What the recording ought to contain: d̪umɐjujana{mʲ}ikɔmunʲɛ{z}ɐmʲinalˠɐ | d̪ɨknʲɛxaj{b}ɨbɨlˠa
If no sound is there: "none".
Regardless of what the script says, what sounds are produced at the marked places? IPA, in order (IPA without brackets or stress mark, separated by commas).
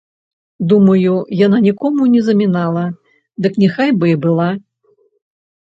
nʲ, z, b